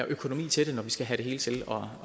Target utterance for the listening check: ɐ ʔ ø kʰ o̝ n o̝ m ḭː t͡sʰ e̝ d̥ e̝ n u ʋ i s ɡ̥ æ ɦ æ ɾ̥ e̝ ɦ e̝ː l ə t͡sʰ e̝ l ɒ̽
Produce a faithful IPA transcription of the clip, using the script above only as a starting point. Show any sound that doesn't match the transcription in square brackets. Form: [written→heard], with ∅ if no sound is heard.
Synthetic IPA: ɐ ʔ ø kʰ o̝ n o̝ m ḭː t͡sʰ e̝ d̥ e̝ n [u→ɒ] ʋ i s ɡ̥ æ ɦ æ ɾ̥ e̝ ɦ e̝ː l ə t͡sʰ e̝ l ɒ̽